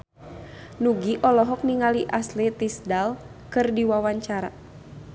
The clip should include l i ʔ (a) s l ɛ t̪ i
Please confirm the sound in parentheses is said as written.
yes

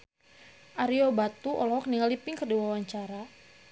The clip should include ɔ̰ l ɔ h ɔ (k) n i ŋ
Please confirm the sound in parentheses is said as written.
yes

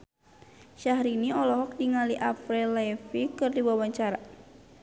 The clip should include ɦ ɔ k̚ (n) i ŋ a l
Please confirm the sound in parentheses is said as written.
no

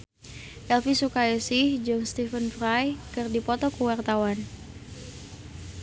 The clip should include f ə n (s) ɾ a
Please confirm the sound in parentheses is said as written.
no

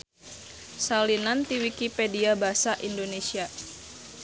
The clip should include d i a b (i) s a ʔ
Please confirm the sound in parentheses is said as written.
no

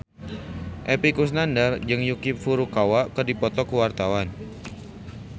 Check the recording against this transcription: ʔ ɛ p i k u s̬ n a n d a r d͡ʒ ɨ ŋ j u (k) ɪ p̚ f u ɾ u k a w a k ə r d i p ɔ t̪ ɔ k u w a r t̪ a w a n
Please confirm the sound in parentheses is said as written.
yes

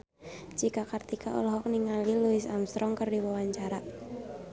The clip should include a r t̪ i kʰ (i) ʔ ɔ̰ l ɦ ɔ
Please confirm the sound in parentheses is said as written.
no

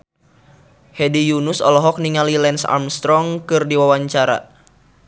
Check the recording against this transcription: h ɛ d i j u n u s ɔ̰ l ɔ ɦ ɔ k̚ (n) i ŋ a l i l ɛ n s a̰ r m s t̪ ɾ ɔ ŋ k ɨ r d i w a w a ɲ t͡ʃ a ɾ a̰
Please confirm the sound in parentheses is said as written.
yes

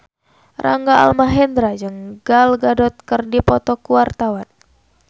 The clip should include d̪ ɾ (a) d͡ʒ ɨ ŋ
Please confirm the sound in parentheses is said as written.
yes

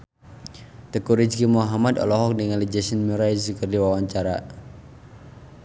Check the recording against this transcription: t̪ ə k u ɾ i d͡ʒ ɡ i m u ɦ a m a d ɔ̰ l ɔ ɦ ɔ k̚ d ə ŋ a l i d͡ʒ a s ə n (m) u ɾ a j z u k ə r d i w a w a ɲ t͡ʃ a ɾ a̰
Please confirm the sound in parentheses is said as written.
yes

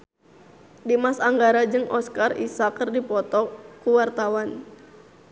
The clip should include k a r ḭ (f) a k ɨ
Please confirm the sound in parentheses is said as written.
no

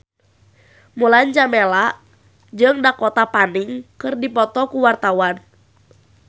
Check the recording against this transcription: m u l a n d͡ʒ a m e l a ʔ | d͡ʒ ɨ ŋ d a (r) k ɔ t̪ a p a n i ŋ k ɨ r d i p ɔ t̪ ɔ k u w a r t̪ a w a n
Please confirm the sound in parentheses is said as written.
no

